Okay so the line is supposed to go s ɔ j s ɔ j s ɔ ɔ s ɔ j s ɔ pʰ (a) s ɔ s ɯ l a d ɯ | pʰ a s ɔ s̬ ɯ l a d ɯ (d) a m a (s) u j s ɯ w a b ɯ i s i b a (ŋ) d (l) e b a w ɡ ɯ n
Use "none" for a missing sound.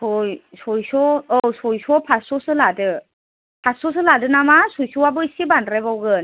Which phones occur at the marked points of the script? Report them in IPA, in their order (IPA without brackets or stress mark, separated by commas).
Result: a, n, s, n, ɾ